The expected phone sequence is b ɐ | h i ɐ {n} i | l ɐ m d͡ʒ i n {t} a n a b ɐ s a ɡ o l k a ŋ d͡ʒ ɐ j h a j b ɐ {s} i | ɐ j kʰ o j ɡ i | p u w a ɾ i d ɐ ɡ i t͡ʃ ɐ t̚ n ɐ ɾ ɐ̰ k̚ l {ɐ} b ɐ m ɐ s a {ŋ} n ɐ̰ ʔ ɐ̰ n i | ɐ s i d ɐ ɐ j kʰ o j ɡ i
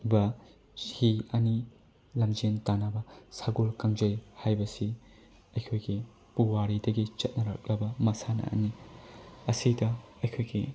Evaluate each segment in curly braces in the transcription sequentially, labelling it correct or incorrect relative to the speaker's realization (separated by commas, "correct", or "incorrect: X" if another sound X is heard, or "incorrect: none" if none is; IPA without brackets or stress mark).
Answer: correct, correct, correct, correct, incorrect: none